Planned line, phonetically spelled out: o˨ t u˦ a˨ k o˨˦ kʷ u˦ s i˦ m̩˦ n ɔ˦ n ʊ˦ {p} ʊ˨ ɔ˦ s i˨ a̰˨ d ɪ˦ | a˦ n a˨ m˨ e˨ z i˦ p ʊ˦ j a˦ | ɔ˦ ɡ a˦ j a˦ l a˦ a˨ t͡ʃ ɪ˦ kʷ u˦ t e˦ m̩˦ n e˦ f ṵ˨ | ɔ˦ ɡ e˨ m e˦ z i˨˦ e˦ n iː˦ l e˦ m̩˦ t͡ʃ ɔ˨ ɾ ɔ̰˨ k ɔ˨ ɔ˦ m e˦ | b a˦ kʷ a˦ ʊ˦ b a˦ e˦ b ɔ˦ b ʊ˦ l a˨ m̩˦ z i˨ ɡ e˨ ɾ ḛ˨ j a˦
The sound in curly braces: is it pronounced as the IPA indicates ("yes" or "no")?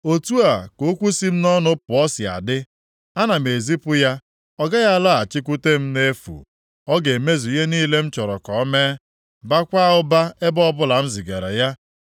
yes